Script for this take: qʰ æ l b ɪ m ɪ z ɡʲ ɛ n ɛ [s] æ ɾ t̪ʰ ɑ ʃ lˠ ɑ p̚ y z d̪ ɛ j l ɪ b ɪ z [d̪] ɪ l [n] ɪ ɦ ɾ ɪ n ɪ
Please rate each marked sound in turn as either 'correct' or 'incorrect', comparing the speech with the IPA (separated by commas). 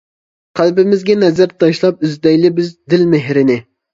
incorrect, correct, incorrect